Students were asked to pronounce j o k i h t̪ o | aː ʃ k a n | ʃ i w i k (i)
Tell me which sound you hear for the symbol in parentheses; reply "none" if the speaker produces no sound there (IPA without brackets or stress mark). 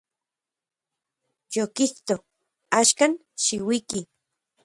i